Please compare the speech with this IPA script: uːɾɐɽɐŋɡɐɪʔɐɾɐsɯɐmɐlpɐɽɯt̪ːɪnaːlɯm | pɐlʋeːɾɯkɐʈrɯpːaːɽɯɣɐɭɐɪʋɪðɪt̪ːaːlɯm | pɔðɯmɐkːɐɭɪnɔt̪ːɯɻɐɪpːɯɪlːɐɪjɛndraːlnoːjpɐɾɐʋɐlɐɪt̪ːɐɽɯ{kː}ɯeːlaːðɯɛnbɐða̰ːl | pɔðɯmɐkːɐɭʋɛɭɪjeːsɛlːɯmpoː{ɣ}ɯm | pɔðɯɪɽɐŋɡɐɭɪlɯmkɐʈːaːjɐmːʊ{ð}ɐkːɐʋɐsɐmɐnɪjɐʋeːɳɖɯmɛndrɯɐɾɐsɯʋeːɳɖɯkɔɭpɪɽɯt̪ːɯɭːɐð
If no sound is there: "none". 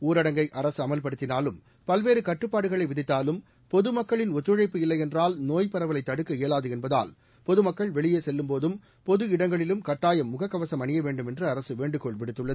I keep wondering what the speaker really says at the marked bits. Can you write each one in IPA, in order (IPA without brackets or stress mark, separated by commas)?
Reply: kː, ð, ɣ